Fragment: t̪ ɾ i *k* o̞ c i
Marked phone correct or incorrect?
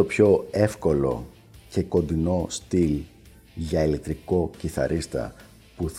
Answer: correct